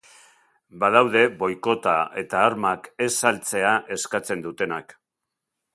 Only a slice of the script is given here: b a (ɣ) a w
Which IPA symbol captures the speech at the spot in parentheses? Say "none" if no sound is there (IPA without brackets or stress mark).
ð